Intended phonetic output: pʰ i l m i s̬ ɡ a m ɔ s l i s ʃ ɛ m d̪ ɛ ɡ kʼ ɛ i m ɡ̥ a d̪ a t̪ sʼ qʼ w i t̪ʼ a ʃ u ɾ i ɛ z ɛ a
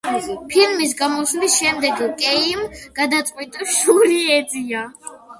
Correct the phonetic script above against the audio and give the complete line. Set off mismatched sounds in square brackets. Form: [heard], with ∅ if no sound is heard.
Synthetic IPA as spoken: pʰ i l m i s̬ ɡ a m ɔ s l i s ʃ ɛ m d̪ ɛ ɡ kʼ ɛ i m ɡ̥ a d̪ a t̪ sʼ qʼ w i t̪ʼ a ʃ u ɾ i ɛ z [i] a